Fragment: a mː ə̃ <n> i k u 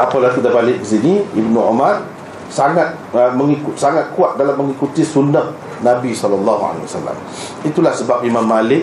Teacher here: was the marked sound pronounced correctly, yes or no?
no